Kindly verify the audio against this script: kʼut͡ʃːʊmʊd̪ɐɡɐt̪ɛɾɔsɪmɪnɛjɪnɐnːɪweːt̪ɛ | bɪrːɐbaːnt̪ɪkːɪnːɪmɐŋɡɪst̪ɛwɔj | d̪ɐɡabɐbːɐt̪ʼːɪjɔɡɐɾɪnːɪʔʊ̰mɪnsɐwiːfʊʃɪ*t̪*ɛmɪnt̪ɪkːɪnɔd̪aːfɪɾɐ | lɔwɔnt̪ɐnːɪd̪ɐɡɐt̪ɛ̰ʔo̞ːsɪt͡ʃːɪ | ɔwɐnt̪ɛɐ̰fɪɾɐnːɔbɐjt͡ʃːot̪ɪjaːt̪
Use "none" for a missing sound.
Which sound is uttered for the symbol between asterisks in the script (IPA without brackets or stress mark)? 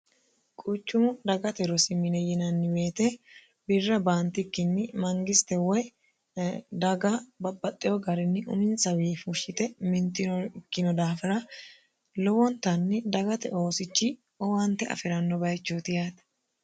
t̪